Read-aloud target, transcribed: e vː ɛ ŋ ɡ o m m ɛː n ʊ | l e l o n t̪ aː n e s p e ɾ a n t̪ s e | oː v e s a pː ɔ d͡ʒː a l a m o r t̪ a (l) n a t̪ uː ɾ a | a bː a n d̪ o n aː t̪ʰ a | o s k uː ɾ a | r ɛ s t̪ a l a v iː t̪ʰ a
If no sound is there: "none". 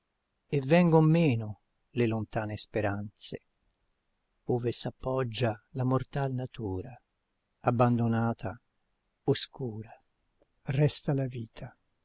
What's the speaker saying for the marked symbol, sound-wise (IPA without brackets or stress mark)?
l